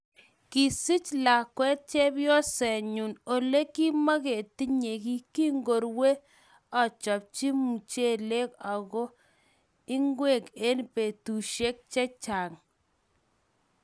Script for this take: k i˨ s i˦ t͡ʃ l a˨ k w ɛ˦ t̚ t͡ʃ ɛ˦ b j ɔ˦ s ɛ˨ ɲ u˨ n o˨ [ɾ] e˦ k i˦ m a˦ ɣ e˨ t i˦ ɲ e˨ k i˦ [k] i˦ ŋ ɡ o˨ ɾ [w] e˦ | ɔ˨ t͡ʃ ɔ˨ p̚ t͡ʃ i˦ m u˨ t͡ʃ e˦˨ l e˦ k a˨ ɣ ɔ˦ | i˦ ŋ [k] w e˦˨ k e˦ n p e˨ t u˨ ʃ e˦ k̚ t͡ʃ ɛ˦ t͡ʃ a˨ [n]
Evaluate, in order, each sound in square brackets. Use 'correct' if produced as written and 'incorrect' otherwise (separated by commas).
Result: incorrect, correct, correct, incorrect, incorrect